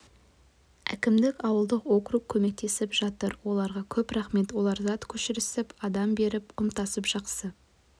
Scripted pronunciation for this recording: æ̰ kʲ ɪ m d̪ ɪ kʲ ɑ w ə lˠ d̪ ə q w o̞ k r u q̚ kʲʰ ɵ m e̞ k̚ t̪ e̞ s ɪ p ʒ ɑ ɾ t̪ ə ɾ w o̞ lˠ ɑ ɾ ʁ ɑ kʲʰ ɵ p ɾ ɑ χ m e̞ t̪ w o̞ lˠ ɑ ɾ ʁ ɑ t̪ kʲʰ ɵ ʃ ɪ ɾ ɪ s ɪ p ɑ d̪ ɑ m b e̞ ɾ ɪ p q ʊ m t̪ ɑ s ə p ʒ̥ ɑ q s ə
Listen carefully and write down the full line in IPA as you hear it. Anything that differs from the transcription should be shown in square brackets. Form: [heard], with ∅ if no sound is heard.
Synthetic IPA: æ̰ kʲ ɪ m d̪ ɪ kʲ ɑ w ə lˠ d̪ ə q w o̞ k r u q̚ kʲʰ ɵ m e̞ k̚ t̪ e̞ s ɪ p ʒ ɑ [∅] t̪ ə ɾ w o̞ lˠ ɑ ɾ ʁ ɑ kʲʰ ɵ p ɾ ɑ χ m e̞ t̪ w o̞ lˠ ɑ ɾ [z] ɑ t̪ kʲʰ ɵ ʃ ɪ ɾ ɪ s ɪ p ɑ d̪ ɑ m b e̞ ɾ ɪ p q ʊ m t̪ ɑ s ə p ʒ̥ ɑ q s ə